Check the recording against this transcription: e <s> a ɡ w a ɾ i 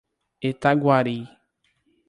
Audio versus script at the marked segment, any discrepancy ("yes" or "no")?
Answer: yes